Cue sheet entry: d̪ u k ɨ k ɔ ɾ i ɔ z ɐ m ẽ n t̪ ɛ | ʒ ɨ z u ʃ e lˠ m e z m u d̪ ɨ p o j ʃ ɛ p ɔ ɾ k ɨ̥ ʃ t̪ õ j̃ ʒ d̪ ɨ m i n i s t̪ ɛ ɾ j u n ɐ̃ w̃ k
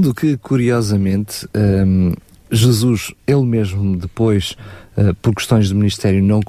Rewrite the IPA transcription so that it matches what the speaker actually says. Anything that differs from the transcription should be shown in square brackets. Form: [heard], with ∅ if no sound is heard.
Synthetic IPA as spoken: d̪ u k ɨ k [u] ɾ i ɔ z ɐ m ẽ n t̪ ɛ | ʒ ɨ z u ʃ e lˠ m e [ʒ] m u d̪ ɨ p o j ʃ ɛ p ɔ ɾ k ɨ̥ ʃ t̪ õ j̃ ʒ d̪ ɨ m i n i [ʃ] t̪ ɛ ɾ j u n ɐ̃ w̃ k